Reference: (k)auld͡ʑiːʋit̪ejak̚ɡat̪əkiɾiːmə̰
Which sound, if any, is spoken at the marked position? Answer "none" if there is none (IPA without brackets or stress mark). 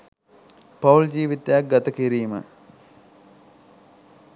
p